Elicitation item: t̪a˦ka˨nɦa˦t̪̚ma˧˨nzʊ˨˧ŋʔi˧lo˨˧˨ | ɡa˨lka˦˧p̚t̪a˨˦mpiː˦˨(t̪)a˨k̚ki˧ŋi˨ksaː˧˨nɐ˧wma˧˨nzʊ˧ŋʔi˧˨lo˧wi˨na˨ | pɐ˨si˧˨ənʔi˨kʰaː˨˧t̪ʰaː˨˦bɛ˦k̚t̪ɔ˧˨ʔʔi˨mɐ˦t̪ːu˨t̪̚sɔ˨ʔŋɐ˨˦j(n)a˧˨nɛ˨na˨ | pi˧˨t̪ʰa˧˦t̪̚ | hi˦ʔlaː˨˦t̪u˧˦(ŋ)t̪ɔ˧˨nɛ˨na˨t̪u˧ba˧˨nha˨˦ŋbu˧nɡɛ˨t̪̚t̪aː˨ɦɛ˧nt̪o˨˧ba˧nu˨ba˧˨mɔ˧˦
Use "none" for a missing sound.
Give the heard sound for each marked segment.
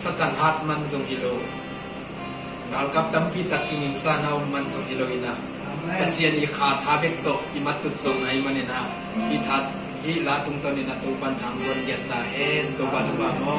t̪, m, ŋ

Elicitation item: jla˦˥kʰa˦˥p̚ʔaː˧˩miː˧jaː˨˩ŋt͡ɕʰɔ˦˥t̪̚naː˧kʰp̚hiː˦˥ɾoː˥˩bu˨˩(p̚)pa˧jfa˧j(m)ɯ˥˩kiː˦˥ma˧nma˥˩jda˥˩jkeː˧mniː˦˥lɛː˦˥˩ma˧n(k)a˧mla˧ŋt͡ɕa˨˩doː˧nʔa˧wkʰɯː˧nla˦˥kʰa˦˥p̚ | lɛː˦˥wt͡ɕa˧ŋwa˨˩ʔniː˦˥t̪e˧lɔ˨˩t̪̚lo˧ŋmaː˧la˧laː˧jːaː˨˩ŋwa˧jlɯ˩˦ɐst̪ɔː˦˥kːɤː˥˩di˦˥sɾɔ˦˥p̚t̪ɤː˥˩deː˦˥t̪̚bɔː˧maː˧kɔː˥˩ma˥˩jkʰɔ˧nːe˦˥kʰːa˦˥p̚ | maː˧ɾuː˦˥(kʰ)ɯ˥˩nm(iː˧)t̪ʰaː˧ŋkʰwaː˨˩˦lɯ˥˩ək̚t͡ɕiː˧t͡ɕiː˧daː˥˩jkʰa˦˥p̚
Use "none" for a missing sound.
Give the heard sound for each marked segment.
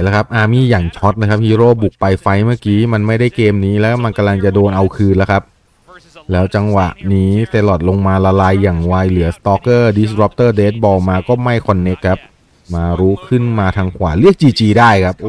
k̚, m, k, kʰ, aː˧

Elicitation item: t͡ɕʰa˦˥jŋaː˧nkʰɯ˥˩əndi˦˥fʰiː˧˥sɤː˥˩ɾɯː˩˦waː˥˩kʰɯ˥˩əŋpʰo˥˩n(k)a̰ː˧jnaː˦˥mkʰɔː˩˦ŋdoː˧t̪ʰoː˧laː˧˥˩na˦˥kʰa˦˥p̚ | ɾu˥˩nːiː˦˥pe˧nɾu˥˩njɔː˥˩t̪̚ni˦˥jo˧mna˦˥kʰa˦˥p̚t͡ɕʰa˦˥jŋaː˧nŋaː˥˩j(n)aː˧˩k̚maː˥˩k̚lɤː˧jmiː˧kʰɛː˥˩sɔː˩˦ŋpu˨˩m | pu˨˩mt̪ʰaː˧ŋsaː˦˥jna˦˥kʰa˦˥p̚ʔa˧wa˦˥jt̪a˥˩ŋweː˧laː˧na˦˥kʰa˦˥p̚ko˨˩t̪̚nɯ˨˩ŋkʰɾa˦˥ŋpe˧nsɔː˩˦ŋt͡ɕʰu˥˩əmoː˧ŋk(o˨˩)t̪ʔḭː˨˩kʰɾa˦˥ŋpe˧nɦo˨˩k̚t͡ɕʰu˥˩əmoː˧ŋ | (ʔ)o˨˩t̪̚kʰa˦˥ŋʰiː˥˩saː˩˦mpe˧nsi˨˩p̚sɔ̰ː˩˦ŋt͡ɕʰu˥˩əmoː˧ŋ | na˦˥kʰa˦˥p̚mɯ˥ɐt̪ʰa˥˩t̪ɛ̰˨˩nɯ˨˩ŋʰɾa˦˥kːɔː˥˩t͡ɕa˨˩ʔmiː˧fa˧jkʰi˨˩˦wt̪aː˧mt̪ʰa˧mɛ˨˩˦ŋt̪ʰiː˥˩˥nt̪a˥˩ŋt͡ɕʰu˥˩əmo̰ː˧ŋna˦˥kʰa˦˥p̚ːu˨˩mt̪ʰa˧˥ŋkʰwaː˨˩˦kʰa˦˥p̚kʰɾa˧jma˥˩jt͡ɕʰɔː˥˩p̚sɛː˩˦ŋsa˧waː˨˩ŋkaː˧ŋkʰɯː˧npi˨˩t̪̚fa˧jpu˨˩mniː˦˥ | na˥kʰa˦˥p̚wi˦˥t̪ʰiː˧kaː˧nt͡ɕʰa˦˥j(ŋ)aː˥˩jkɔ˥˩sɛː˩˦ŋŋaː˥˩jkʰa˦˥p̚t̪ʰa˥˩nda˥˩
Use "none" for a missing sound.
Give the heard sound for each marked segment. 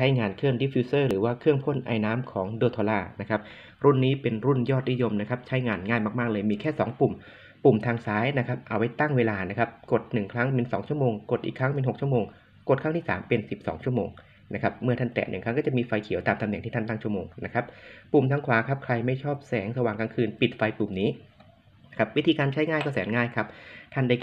ʔ, m, o˨˩, k, ŋ

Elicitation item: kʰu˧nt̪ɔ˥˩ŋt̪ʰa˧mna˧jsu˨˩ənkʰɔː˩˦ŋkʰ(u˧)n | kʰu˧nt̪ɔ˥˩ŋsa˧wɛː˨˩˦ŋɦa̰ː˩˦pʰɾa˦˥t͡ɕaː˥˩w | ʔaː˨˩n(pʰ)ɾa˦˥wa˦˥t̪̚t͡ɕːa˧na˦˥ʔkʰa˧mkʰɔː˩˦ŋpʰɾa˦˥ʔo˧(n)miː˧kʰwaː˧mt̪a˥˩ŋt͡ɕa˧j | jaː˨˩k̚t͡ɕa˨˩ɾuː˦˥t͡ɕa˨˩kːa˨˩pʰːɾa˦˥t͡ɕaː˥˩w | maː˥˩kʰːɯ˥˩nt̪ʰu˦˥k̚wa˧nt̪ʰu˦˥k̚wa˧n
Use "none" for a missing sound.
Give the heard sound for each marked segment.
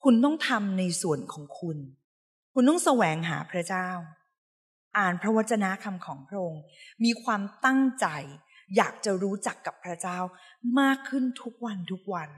u˧, pʰ, ŋ

